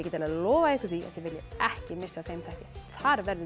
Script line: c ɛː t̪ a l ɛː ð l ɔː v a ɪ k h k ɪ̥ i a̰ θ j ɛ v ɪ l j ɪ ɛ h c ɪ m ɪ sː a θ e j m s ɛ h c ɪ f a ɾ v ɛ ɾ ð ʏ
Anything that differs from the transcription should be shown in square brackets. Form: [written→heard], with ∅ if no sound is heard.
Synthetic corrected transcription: c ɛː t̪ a l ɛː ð l ɔː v a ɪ [k→∅] h k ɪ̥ i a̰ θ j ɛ v ɪ l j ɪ ɛ h c ɪ m ɪ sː a θ e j m [s→θ] ɛ h c ɪ [f→θ] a ɾ v ɛ ɾ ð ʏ

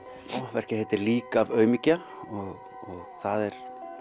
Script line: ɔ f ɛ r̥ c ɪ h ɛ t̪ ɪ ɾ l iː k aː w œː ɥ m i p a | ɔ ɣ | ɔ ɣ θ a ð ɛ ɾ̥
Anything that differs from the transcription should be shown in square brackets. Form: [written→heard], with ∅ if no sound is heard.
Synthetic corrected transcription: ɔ [f→v] ɛ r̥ c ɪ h ɛ t̪ ɪ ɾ l iː k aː [w→v] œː ɥ m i [p→c] a | ɔ ɣ | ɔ ɣ θ a ð ɛ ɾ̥

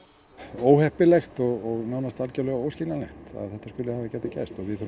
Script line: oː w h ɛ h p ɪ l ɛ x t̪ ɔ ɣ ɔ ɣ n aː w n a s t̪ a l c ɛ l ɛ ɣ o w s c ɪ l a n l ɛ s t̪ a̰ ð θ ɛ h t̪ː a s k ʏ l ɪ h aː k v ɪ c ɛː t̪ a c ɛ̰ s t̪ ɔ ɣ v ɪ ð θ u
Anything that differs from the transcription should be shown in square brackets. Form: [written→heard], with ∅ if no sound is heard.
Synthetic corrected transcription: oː w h ɛ h p ɪ l ɛ x t̪ ɔ ɣ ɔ ɣ n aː w n a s t̪ a l c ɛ l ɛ ɣ o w s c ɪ l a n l ɛ [s→x] t̪ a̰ ð θ ɛ h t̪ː a s k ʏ l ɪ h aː [k→∅] v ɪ c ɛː t̪ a c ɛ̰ s t̪ ɔ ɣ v ɪ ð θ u

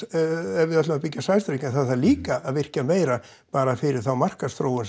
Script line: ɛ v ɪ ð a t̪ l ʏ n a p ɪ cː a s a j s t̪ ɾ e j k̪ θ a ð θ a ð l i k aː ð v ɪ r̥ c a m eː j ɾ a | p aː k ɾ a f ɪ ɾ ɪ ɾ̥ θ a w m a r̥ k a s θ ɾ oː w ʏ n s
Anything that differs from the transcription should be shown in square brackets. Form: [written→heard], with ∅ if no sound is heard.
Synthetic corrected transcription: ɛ v ɪ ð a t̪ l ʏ [n→m] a p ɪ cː a s a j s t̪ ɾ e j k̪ θ a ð θ a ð l [i→iː] k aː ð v ɪ r̥ c a m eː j ɾ a | p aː [k→∅] ɾ a f ɪ ɾ ɪ ɾ̥ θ a w m a r̥ k a s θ ɾ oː w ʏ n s

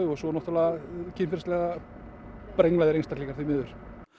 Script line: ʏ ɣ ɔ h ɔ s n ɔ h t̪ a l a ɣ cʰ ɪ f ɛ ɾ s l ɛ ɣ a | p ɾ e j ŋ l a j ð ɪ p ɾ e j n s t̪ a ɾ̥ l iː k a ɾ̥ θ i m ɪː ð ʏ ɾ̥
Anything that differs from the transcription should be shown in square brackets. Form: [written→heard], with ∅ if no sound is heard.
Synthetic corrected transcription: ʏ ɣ ɔ [h→s] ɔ [s→∅] n ɔ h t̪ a l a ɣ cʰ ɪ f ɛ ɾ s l ɛ ɣ a | p ɾ e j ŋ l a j ð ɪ [p→∅] ɾ e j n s t̪ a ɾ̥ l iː k a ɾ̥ θ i m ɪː ð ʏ ɾ̥

